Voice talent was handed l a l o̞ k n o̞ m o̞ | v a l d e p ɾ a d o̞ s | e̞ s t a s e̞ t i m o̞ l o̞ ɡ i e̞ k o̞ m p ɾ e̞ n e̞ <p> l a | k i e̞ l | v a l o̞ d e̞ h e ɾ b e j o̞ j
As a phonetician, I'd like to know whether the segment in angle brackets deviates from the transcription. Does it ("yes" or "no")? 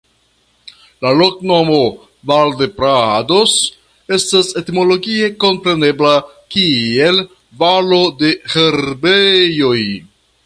yes